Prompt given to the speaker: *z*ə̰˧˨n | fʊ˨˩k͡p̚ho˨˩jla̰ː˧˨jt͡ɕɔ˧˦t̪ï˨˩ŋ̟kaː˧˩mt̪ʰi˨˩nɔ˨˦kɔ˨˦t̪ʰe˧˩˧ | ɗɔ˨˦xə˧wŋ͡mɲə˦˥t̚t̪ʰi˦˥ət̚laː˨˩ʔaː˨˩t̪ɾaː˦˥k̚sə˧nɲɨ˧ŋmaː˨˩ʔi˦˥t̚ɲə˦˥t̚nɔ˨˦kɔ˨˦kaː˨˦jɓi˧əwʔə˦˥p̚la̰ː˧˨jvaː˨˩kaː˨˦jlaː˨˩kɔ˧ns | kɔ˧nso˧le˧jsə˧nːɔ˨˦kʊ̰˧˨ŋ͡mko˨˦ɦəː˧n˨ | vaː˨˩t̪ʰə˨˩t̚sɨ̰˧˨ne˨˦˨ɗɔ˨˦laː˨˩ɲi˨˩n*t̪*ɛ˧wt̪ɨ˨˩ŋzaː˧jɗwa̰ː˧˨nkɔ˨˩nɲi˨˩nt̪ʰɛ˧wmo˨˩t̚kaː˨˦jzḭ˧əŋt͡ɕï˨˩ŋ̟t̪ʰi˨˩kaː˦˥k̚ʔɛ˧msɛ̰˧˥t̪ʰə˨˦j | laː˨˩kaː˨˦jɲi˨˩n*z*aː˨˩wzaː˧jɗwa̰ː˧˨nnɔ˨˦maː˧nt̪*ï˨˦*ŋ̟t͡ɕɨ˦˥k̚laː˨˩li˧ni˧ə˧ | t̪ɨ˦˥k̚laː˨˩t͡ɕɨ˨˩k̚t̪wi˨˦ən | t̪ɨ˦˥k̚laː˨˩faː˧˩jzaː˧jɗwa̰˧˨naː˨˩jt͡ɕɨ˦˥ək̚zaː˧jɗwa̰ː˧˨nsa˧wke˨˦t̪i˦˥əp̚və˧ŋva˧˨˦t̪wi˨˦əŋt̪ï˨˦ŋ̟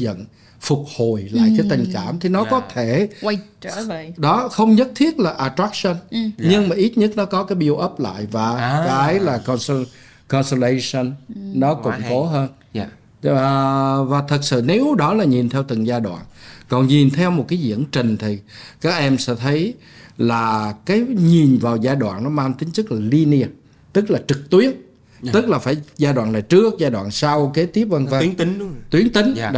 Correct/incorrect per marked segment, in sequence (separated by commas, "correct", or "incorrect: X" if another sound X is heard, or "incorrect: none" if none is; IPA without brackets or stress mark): correct, incorrect: t̪ʰ, incorrect: v, correct